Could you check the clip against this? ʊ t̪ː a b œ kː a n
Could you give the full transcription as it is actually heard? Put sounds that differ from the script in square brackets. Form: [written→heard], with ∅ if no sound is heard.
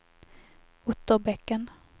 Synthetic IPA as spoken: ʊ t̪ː [a→ə] b [œ→ɛ] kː [a→ə] n